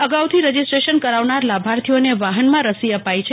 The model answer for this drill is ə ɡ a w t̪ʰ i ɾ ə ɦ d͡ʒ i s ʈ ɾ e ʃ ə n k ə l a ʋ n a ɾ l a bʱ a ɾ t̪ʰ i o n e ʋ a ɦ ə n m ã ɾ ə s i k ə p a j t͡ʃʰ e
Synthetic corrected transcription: ə ɡ a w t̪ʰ i ɾ ə d͡ʒ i s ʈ ɾ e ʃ ə n k ə ɾ a ʋ n a ɾ l a bʱ a ɾ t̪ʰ i o n e ʋ a ɦ ə n m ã ɾ ə s i ə p a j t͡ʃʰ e